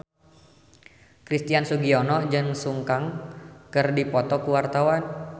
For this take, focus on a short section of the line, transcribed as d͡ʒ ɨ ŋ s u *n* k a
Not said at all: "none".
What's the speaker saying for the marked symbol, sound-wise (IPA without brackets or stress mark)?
ŋ